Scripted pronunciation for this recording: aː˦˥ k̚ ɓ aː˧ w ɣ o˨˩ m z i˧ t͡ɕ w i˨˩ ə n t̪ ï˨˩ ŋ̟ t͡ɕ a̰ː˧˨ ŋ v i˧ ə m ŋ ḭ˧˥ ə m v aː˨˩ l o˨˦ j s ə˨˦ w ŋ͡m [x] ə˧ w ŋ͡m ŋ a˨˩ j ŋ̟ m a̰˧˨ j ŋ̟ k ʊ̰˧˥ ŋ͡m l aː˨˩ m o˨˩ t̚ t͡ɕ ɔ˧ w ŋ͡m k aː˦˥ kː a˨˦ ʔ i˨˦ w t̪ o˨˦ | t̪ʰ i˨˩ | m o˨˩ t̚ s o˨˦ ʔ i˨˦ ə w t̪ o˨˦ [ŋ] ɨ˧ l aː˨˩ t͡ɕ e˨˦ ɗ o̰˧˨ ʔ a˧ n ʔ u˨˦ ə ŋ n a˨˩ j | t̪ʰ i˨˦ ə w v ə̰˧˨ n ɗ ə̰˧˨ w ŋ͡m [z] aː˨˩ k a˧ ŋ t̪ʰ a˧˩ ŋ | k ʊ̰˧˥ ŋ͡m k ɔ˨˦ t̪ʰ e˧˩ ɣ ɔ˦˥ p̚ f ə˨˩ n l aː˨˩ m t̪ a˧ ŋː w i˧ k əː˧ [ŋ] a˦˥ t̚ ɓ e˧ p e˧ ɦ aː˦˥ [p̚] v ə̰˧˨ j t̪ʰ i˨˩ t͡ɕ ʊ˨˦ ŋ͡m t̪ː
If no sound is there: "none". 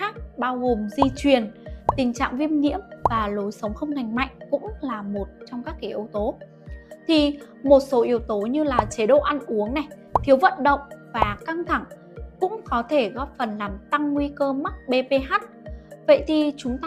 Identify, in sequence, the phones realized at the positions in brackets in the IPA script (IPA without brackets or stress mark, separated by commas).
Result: x, ɲ, v, m, t̚